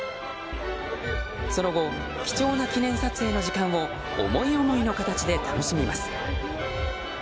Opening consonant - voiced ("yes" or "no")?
no